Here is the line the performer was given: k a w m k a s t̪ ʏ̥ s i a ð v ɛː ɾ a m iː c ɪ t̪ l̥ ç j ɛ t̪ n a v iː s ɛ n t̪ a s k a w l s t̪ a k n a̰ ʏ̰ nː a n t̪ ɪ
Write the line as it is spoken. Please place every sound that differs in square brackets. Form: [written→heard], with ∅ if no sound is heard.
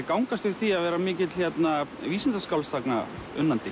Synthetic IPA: k a w [m→ŋ] k a s t̪ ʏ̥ [s→θ] i a ð v ɛː ɾ a m [iː→ɪː] c ɪ t̪ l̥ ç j ɛ t̪ n a v iː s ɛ n t̪ a s k a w l s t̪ a k n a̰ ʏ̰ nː a n t̪ ɪ